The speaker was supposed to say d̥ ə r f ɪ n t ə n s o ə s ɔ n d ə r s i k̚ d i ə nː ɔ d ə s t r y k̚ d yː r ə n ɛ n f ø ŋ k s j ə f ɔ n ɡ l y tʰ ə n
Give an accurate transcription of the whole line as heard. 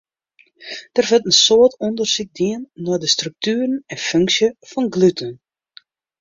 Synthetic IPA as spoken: d̥ ə r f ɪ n t ə n s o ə t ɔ n d ə r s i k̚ d i ə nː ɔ d ə s t r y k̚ t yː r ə n ɛ n f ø ŋ k s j ə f ɔ n ɡ l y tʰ ə n